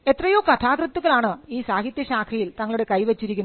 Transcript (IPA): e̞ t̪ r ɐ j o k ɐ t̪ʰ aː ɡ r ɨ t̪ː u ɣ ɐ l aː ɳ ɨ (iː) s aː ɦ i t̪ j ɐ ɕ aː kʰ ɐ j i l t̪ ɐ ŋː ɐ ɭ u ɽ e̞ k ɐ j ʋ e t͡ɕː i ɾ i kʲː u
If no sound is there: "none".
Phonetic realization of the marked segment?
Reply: iː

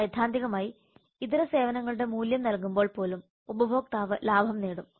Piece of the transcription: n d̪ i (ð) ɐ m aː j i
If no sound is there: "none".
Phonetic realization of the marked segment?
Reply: ɣ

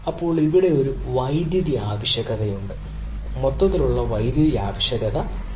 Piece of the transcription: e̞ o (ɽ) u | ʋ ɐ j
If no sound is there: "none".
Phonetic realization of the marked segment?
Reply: ɾ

